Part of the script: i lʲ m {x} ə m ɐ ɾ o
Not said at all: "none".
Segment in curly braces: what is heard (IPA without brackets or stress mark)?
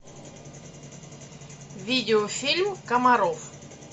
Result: k